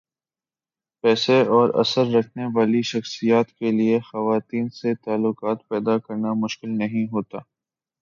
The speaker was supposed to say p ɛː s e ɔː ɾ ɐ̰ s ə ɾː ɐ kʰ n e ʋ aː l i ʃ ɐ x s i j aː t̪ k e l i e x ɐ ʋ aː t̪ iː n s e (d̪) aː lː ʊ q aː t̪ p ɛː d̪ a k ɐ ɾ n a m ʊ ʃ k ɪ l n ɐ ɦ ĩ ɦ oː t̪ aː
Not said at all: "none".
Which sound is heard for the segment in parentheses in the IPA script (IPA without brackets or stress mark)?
t̪